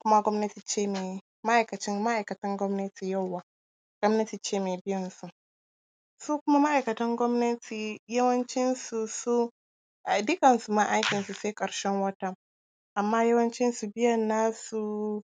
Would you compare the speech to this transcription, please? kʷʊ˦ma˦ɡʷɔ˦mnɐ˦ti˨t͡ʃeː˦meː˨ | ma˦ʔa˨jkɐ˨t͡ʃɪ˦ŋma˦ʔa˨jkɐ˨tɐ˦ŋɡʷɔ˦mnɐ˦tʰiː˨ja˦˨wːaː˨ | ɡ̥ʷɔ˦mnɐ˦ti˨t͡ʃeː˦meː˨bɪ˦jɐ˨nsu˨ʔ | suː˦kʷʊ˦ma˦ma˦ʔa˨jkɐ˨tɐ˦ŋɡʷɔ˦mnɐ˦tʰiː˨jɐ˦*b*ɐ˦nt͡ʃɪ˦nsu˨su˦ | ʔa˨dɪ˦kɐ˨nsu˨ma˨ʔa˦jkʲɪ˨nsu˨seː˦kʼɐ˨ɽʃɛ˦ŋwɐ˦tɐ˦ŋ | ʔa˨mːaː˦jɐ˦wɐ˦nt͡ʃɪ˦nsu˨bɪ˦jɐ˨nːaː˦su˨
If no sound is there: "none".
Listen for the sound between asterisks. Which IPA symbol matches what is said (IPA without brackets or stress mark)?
w